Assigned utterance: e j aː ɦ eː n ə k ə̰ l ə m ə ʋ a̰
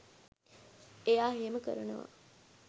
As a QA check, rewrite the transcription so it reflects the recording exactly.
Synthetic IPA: e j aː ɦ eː m ə k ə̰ ɾ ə n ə ʋ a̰